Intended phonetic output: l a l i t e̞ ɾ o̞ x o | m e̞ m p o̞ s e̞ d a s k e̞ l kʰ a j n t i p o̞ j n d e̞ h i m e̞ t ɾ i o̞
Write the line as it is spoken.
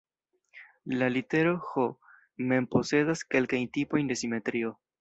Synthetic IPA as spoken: l a l i t e̞ ɾ o̞ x o | m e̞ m p o̞ s e̞ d a s k e̞ l k a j n t i p o̞ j n d e̞ s i m e̞ t ɾ i o̞